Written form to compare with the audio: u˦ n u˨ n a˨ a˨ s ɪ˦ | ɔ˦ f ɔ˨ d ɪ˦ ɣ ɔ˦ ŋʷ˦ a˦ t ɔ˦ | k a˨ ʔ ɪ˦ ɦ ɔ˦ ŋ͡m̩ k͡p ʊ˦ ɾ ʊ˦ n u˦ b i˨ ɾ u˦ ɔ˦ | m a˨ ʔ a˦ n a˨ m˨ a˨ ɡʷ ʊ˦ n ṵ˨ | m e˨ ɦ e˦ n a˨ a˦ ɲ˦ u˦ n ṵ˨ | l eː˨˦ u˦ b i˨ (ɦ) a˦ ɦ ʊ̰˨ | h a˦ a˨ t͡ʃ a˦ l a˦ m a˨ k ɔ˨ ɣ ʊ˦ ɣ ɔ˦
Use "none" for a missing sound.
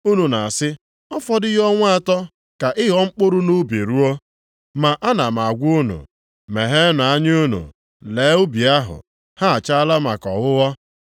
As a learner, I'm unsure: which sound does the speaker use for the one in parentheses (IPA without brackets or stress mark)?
none